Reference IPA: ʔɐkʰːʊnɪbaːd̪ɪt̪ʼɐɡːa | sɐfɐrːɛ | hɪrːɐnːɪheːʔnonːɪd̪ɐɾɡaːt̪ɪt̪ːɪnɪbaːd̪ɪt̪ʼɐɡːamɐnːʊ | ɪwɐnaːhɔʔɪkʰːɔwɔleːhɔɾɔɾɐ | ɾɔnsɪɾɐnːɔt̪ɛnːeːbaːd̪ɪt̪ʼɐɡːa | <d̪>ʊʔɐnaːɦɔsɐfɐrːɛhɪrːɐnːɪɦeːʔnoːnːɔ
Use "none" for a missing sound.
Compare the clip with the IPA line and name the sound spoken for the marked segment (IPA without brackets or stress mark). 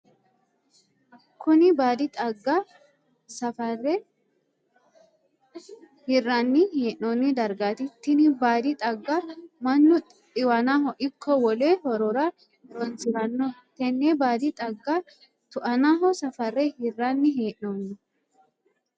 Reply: t̪